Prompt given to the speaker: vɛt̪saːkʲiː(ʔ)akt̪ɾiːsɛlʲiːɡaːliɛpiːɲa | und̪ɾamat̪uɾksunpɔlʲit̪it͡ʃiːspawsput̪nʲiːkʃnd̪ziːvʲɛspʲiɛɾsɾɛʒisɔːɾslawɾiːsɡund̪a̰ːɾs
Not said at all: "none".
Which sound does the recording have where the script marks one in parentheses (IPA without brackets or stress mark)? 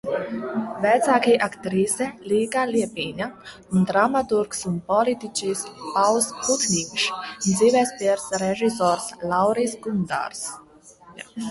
ʔ